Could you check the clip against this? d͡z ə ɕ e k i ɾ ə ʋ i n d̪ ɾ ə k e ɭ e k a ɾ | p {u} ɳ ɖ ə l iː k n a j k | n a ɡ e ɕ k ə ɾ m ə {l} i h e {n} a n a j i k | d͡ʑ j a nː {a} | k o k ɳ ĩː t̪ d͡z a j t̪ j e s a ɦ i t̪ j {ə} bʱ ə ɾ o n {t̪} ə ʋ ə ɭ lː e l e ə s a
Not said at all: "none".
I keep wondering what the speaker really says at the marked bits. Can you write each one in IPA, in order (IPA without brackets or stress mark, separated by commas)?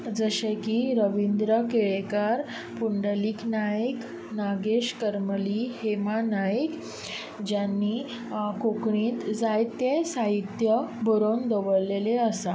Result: u, l, m, i, ə, d̪